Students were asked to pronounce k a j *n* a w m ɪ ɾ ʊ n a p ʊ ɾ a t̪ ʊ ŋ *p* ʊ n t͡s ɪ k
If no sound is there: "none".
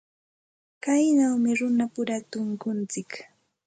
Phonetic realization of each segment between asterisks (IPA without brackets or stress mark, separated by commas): n, k